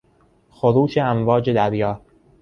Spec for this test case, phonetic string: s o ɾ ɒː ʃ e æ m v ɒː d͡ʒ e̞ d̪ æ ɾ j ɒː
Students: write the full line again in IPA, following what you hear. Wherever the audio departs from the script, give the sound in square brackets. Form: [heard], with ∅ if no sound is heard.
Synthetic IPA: [x] o ɾ [uː] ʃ e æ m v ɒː d͡ʒ e̞ d̪ æ ɾ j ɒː